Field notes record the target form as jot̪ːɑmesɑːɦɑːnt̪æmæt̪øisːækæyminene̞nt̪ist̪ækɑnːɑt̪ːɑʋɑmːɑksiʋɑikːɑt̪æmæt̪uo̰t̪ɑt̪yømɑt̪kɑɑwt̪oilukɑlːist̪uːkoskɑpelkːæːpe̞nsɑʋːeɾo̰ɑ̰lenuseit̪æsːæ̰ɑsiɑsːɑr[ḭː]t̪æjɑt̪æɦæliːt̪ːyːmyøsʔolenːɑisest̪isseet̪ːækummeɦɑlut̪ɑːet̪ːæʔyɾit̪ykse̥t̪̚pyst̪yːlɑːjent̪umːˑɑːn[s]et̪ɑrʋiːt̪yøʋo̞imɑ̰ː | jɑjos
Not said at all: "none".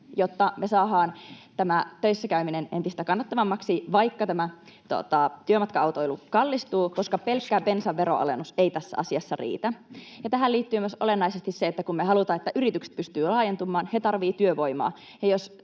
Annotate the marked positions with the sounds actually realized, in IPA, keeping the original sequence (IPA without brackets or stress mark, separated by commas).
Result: ḭː, h